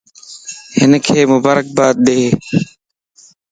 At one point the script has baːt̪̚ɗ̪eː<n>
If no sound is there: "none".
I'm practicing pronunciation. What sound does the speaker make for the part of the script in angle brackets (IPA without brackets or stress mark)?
none